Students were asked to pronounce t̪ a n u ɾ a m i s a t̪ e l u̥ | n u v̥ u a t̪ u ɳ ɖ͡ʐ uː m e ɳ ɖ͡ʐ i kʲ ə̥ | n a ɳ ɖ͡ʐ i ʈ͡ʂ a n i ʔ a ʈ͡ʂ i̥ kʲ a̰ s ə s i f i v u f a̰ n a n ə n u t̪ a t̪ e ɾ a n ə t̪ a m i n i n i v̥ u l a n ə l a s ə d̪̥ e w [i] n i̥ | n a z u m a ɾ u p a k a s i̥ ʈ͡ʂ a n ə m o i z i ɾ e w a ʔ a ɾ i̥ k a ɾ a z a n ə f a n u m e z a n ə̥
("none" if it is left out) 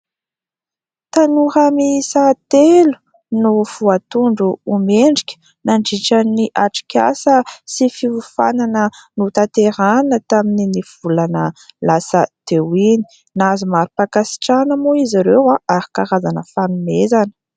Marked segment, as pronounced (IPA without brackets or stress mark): i